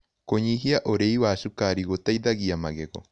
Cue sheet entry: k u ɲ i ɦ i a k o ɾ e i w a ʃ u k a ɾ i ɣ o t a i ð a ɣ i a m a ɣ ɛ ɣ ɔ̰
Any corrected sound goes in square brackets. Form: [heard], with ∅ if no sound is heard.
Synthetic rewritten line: k [o] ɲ i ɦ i a [ʔ] o ɾ e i w a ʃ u k a ɾ i ɣ o t a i ð a ɣ i a m a ɣ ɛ ɣ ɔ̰